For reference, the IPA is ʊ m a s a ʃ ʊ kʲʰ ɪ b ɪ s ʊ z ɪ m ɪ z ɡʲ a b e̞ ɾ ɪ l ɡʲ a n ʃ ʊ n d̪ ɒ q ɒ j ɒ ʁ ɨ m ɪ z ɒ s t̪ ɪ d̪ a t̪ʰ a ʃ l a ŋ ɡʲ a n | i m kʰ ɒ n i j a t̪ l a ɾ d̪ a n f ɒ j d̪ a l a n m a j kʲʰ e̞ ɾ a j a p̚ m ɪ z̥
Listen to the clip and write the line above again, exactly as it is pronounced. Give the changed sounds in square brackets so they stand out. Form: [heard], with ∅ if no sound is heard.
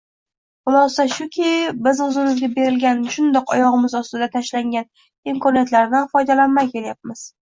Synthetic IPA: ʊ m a s a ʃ ʊ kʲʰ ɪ b ɪ [z] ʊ z ɪ m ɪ z ɡʲ a b e̞ ɾ ɪ l ɡʲ a n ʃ ʊ n d̪ ɒ q ɒ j ɒ ʁ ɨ m ɪ z ɒ s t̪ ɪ d̪ a t̪ʰ a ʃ l a ŋ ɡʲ a n | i m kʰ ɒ n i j a t̪ l a ɾ d̪ a n f ɒ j d̪ a l a n m a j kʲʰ e̞ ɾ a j a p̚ m ɪ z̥